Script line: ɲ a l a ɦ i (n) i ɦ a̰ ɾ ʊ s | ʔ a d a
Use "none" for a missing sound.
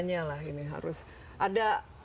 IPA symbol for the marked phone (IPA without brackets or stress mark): n